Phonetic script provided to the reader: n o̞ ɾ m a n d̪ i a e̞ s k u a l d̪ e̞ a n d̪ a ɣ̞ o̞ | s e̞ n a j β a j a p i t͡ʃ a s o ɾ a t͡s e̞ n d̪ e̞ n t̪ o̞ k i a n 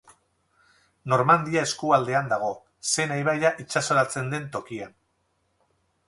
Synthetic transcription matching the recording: n o̞ ɾ m a n d̪ i a e̞ s k u a l d̪ e̞ a n d̪ a ɣ̞ o̞ | s e̞ n a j β a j a ʔ i t͡ʃ a s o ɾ a t͡s e̞ n d̪ e̞ n t̪ o̞ k i a n